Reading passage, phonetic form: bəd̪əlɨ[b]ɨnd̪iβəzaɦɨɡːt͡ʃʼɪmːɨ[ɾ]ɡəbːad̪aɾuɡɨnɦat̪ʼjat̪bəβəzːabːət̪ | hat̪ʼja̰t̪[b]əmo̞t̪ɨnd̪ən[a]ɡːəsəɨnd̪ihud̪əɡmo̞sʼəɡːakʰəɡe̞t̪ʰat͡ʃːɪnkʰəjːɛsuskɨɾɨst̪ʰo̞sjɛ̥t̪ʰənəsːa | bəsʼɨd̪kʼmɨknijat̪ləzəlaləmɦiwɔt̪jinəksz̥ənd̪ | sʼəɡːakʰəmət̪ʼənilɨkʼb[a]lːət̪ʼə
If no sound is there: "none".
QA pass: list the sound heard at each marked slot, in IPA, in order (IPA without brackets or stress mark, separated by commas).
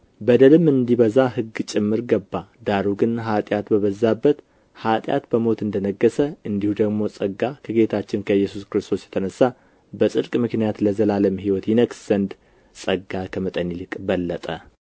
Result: m, ɾ, b, ə, ə